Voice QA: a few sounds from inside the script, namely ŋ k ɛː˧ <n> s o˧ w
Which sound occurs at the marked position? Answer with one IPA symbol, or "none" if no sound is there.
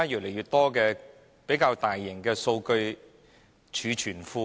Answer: none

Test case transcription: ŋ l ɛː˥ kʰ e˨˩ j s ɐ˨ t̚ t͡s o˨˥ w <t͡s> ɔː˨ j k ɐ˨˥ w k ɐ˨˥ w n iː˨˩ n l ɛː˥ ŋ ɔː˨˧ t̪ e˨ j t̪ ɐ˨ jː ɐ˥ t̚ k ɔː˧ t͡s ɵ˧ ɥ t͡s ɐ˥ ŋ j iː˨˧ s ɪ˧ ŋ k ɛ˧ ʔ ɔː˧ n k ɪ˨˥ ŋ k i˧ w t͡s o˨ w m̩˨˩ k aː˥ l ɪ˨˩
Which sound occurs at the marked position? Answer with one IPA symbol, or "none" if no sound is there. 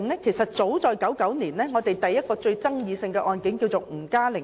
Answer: t͡s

